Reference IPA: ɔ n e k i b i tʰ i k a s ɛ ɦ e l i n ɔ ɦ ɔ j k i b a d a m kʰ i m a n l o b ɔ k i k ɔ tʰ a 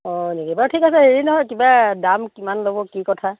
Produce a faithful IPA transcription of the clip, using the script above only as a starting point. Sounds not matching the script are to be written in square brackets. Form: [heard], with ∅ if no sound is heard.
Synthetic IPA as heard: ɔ n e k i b [a] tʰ i k a s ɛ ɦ e [ɹ] i n ɔ ɦ ɔ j k i b a d a m [k] i m a n l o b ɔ k i k ɔ tʰ a